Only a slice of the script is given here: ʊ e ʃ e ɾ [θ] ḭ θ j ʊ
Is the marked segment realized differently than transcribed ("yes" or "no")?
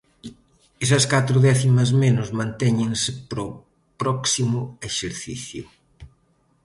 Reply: no